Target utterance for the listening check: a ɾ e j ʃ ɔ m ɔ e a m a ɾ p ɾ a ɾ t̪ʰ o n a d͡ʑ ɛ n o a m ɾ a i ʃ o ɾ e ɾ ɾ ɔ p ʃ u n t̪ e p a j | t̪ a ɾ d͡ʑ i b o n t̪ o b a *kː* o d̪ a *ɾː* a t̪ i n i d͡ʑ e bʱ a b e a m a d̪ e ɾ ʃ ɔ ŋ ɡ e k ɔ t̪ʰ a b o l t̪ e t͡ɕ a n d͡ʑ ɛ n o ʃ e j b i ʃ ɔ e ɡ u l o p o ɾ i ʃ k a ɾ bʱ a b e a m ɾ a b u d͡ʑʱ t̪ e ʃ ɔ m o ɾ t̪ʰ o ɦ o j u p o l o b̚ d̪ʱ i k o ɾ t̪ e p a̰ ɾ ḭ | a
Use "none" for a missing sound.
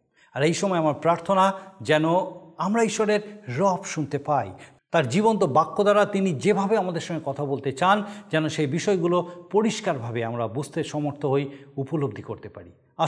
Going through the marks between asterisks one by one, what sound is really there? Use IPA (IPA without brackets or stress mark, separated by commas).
kː, ɾ